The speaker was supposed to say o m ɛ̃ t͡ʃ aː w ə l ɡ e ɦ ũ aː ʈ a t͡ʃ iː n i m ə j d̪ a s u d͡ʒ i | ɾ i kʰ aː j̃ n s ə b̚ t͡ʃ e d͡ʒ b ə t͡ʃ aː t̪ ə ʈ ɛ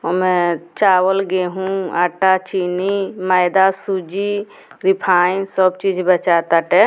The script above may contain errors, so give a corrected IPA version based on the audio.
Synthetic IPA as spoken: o m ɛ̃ t͡ʃ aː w ə l ɡ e ɦ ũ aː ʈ a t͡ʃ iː n i m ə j d̪ a s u d͡ʒ i | ɾ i pʰ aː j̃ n s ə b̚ t͡ʃ i d͡ʒ b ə t͡ʃ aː t̪ a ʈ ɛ